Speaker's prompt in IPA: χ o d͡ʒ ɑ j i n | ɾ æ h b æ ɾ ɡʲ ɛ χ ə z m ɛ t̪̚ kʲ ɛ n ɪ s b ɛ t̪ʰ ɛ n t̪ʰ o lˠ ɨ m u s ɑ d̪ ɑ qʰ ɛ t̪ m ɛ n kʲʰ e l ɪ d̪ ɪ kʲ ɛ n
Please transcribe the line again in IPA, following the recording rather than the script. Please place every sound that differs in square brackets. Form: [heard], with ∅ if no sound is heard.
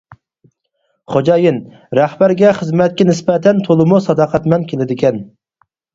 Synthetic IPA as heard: χ o d͡ʒ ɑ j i n | ɾ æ h b æ ɾ ɡʲ ɛ χ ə z m ɛ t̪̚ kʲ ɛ n ɪ s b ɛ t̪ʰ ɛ n t̪ʰ o lˠ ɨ m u s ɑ d̪ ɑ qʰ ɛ t̪ m ɛ n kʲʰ e l ɪ d̪ ɪ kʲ ɛ n